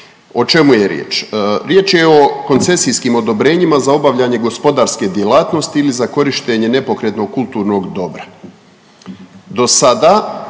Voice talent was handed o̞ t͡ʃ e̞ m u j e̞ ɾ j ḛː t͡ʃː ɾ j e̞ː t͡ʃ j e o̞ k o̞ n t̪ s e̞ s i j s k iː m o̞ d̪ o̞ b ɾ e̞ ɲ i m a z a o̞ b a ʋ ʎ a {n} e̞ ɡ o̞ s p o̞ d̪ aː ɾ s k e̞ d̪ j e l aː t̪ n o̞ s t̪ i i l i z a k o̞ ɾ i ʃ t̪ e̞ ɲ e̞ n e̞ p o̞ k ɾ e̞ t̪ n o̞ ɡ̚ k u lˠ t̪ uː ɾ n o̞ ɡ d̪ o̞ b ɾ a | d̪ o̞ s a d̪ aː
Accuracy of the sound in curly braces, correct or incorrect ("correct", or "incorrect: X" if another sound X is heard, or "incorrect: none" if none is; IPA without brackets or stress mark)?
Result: incorrect: ɲ